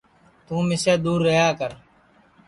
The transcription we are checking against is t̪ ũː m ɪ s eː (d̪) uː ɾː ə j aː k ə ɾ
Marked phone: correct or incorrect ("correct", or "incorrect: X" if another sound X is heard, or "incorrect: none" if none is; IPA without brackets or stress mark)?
correct